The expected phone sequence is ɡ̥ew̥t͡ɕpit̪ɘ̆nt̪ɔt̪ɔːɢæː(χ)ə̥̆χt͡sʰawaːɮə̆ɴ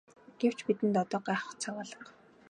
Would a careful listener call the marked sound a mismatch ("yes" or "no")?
no